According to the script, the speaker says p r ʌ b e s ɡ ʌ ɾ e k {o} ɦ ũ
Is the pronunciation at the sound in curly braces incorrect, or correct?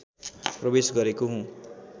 correct